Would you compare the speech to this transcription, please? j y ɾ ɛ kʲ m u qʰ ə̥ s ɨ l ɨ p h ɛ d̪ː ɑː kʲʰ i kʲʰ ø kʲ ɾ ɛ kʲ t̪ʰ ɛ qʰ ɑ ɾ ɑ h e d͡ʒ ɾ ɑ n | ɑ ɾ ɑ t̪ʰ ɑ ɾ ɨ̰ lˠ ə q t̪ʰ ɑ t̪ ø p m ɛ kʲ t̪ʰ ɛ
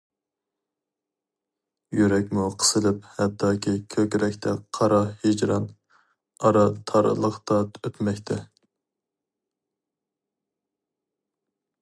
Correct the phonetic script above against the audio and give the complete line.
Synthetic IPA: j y ɾ ɛ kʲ m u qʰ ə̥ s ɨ l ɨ p h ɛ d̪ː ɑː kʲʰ i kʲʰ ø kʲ ɾ ɛ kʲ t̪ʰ ɛ qʰ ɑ ɾ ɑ h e d͡ʒ ɾ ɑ n | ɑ ɾ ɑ t̪ʰ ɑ ɾ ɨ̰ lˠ ə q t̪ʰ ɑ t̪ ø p m ɛ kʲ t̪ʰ ɛ